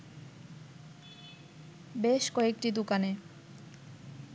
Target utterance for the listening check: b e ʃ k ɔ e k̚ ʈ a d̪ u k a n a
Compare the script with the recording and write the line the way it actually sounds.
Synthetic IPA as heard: b e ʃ k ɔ e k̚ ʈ i d̪ u k a n e